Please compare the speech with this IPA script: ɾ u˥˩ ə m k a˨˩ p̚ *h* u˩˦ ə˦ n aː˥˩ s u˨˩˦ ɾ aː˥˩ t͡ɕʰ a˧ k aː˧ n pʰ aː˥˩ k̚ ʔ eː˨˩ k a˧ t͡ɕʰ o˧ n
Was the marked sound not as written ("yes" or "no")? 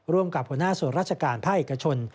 no